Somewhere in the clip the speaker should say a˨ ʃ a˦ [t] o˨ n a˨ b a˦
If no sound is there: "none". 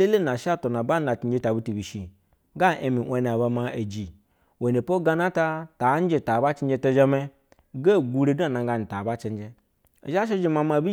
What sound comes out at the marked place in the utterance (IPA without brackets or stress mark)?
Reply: t